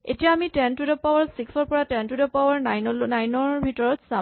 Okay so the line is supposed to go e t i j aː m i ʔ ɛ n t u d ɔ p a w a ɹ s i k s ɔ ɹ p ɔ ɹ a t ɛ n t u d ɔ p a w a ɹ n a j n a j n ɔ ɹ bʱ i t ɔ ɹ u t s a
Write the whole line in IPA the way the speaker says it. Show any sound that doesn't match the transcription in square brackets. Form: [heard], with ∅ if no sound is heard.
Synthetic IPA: e t i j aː m i [t] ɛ n t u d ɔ p a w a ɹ s i k s ɔ ɹ p ɔ ɹ a t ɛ n t u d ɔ p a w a ɹ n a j n a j n ɔ ɹ bʱ i t ɔ ɹ [ɔ] t s a